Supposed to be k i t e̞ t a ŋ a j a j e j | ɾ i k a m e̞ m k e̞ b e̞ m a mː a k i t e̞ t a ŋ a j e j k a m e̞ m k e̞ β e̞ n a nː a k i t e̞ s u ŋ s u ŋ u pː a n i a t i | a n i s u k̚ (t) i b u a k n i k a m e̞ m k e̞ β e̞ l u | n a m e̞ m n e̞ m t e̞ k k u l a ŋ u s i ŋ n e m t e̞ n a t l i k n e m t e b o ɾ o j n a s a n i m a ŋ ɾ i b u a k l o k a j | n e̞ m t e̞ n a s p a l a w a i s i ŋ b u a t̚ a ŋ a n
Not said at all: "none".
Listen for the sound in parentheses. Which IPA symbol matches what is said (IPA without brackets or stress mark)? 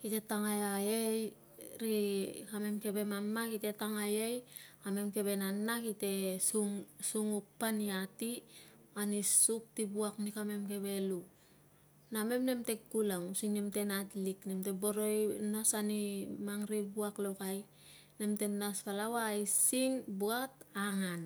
t